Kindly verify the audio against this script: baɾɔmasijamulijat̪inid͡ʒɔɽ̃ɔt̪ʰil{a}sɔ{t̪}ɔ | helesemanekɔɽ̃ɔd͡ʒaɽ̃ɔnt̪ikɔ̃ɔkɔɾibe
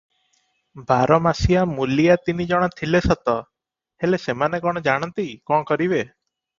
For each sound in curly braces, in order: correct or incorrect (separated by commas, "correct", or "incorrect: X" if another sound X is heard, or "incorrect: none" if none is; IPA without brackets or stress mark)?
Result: incorrect: e, correct